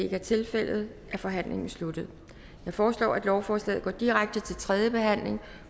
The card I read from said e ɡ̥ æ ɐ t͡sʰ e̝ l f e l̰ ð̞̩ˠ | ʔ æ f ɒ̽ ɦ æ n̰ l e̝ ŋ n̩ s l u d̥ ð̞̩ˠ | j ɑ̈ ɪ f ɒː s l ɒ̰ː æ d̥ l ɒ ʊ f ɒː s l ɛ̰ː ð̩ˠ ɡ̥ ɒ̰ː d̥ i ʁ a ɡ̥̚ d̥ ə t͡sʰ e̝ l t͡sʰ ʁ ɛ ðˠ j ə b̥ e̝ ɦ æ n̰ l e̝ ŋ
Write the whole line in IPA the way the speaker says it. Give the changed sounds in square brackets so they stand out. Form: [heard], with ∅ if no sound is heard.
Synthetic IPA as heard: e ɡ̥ æ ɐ t͡sʰ e̝ l f e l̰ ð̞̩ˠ | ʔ æ f ɒ̽ ɦ æ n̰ l e̝ ŋ n̩ s l u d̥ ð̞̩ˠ | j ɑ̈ ɪ f ɒː s l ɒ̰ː æ d̥ l ɒ ʊ f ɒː s l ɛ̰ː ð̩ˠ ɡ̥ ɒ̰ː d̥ i ʁ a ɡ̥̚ d̥ ə t͡sʰ e̝ l t͡sʰ ʁ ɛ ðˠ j ə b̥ e̝ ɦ æ n̰ l e̝ ŋ